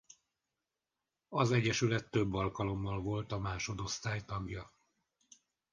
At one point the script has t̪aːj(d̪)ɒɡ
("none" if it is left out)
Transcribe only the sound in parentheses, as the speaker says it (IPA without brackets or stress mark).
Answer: t̪